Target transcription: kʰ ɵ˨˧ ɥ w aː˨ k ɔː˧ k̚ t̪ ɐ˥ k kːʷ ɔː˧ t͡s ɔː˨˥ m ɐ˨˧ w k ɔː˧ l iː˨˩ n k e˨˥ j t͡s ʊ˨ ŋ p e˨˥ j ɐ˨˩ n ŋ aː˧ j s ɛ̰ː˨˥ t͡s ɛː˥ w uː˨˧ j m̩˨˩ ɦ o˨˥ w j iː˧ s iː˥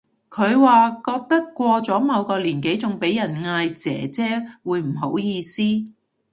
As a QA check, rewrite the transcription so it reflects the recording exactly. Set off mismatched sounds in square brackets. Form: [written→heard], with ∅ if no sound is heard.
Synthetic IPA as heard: kʰ ɵ˨˧ ɥ w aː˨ k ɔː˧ k̚ t̪ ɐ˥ k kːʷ ɔː˧ t͡s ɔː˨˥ m ɐ˨˧ w k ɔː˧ l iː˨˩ n k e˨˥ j t͡s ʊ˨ ŋ p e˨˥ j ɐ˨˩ n ŋ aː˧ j [s→t͡s] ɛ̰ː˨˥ t͡s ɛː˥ w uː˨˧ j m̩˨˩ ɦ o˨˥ w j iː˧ s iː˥